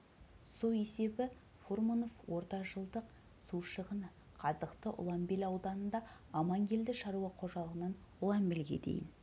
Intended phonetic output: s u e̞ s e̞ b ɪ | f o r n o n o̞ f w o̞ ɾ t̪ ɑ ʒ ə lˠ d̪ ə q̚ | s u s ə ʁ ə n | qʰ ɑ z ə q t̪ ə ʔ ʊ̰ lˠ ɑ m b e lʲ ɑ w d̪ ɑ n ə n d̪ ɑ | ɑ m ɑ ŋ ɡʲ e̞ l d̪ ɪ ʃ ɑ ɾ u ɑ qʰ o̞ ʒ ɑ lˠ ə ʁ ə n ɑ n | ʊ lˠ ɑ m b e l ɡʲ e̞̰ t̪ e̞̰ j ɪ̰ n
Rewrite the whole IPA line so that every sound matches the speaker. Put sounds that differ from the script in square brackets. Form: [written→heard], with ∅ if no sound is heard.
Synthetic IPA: s u e̞ s e̞ b ɪ | f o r [n→m] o n o̞ f w o̞ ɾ t̪ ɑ ʒ ə lˠ d̪ ə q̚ | s u [s→ʃ] ə ʁ ə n | qʰ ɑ z ə q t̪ ə ʔ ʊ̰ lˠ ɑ m b e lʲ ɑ w d̪ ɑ n ə n d̪ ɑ | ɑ m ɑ ŋ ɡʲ e̞ l d̪ ɪ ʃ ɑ ɾ u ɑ qʰ o̞ ʒ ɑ lˠ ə ʁ ə n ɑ n | ʊ lˠ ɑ m b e l ɡʲ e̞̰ [t̪→d̪] e̞̰ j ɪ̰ n